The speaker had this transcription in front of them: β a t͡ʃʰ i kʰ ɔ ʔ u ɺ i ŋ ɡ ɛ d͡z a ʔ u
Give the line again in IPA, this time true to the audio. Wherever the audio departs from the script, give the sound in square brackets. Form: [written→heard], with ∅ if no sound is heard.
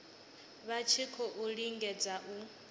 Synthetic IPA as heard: β a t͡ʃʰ i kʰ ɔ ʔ u ɺ i ŋ ɡ ɛ d͡z a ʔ u